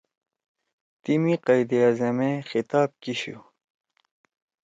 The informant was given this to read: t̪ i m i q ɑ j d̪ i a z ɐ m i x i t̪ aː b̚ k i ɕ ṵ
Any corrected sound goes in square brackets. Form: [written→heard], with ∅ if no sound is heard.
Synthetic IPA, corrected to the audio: t̪ i m i q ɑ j d̪ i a z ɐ m [i→e] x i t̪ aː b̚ k i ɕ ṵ